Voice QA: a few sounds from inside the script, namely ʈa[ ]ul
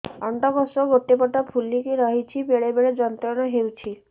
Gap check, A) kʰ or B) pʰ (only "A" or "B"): B